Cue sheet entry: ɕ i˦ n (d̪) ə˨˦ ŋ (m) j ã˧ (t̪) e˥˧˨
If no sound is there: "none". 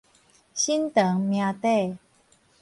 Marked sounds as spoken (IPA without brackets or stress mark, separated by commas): t̪, m, t̪